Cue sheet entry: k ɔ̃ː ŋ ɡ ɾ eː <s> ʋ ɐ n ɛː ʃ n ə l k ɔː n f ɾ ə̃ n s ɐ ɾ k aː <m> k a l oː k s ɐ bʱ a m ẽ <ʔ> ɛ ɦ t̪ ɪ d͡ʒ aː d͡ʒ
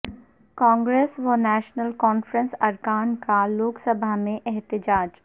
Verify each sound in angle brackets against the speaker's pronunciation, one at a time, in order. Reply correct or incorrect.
correct, incorrect: n, correct

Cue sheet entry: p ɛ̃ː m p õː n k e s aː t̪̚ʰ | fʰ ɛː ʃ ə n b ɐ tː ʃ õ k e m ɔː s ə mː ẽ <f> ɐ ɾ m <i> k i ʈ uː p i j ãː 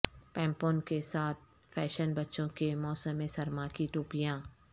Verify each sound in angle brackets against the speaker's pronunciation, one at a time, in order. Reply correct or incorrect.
incorrect: s, incorrect: a

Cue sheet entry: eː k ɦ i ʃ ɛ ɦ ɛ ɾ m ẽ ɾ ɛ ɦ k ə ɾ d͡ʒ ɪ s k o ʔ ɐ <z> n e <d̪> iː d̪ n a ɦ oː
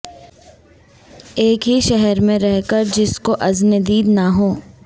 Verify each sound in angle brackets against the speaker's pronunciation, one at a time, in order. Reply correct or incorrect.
correct, correct

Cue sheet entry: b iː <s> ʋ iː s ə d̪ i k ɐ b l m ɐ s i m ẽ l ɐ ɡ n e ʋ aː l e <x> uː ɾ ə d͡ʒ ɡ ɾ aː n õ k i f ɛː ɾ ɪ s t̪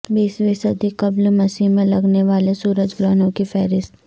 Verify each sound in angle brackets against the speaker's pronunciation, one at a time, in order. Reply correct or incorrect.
correct, incorrect: s

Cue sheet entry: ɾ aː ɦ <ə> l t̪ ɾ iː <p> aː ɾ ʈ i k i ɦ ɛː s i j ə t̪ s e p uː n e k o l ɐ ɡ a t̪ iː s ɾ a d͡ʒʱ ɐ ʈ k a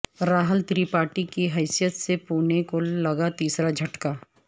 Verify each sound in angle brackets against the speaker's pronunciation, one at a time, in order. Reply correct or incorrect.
correct, correct

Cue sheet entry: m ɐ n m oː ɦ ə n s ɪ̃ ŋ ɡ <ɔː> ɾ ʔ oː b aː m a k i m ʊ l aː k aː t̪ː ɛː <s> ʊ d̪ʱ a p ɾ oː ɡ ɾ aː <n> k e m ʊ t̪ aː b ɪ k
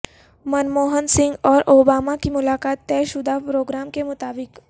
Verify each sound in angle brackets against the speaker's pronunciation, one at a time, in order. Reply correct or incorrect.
correct, incorrect: ʃ, incorrect: m

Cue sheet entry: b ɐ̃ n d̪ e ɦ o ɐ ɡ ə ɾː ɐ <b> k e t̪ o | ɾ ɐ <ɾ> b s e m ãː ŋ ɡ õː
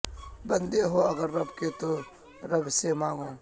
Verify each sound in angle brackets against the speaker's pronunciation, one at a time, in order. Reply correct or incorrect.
correct, incorrect: none

